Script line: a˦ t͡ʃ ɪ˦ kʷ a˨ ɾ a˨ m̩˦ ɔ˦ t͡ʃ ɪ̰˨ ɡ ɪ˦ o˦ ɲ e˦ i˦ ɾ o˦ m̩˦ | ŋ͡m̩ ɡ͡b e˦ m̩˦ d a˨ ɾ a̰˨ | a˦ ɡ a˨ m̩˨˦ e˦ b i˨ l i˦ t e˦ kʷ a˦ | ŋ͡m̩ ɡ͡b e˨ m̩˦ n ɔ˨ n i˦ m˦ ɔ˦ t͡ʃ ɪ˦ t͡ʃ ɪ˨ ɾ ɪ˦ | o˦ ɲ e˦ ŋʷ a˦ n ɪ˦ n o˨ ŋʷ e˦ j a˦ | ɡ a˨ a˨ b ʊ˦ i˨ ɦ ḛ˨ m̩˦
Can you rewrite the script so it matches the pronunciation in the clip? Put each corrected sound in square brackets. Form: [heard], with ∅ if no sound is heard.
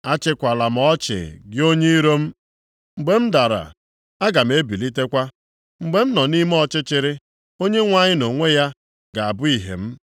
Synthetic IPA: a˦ t͡ʃ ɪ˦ kʷ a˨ [l] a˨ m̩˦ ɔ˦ t͡ʃ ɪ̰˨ ɡ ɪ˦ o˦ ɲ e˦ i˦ ɾ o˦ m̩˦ | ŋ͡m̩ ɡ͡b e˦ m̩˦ d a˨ ɾ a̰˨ | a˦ ɡ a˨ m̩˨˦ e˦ b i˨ l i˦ t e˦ kʷ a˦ | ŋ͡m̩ ɡ͡b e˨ m̩˦ n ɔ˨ n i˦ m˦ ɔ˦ t͡ʃ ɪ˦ t͡ʃ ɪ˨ ɾ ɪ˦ | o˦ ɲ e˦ ŋʷ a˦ [ɲ] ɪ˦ n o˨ ŋʷ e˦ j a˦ | ɡ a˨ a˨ b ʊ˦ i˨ ɦ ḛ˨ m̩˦